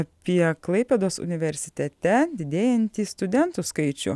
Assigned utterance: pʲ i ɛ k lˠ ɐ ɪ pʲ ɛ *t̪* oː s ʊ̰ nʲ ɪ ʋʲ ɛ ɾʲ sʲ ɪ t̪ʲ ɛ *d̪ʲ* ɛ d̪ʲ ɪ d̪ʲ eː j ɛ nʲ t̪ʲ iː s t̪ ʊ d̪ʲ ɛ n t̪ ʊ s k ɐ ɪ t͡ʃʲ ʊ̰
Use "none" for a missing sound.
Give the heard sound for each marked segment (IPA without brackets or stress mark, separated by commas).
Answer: d̪, t̪ʲ